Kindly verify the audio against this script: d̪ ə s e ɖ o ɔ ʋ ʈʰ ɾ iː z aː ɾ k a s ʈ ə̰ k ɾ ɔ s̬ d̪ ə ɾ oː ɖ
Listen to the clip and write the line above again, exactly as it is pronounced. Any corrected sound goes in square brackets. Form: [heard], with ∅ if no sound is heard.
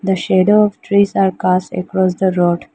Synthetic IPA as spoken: d̪ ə [ʃ] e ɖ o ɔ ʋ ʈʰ ɾ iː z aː ɾ k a s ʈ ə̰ k ɾ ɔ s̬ d̪ ə ɾ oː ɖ